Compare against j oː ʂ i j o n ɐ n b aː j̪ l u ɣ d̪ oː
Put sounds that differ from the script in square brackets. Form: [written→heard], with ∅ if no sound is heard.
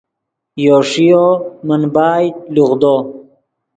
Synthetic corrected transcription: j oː ʂ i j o [n→m] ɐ n b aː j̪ l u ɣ d̪ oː